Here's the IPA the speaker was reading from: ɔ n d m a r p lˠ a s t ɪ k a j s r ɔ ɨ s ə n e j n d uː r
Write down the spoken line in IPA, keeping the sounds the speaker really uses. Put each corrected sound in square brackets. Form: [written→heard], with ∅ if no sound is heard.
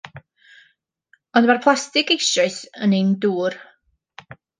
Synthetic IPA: ɔ n d m a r [p→pʰ] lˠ a s t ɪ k [a→e] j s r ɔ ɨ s ə n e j n d uː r